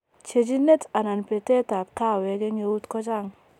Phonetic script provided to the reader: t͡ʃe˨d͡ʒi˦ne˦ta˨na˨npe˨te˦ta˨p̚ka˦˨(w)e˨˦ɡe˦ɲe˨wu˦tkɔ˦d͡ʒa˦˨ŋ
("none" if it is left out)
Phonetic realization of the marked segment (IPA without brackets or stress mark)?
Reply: w